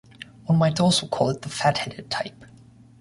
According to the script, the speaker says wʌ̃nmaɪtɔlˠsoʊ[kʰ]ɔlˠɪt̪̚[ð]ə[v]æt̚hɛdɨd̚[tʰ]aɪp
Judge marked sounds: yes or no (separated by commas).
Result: yes, yes, no, yes